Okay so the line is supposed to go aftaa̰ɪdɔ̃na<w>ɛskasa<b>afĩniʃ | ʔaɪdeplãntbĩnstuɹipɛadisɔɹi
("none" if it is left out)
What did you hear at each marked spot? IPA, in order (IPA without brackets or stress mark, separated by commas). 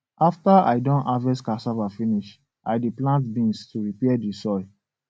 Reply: v, v